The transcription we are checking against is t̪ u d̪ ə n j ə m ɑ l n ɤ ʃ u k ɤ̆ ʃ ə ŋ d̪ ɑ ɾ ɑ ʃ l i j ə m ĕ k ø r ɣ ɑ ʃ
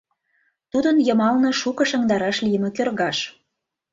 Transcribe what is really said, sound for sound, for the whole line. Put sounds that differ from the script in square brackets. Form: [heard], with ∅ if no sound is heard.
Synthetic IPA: t̪ u d̪ ə n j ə m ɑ l n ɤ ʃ u k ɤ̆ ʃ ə ŋ d̪ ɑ ɾ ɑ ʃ l i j ə m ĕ k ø r ɣ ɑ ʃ